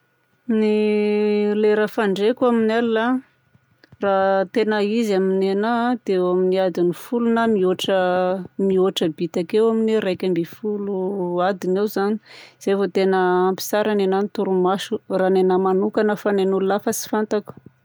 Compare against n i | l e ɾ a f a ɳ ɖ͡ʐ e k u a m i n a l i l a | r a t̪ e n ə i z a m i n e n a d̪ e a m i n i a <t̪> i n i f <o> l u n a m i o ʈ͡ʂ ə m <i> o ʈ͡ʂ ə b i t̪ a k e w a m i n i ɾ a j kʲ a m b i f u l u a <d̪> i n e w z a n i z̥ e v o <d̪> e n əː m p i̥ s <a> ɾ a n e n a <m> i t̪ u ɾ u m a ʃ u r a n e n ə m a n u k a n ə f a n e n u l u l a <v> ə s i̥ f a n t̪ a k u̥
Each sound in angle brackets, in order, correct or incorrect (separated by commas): incorrect, incorrect, correct, correct, incorrect, correct, incorrect, incorrect